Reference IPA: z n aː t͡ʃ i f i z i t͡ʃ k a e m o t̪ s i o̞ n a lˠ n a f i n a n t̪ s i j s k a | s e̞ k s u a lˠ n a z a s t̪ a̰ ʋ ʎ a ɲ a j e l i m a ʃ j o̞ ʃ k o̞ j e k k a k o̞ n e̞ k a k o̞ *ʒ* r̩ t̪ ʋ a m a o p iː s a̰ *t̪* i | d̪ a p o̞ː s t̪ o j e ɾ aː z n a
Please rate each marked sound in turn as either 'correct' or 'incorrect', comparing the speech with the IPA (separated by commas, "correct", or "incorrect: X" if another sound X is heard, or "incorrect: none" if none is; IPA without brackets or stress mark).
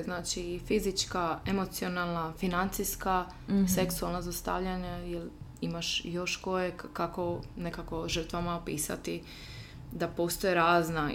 correct, correct